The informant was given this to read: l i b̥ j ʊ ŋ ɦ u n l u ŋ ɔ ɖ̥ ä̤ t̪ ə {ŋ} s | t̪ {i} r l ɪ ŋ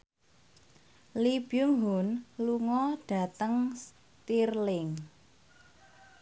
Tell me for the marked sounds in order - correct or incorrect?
correct, correct

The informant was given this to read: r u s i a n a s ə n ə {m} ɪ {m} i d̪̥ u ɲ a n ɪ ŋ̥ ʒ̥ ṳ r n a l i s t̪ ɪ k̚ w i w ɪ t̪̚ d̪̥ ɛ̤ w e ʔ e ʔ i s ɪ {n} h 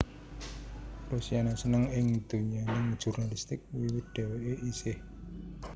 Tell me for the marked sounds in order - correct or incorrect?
incorrect, incorrect, incorrect

